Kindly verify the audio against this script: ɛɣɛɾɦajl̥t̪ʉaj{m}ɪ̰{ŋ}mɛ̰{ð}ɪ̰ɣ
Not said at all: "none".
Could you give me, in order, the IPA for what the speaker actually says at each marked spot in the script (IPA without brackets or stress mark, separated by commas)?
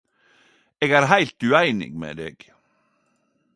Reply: n, ŋ, ð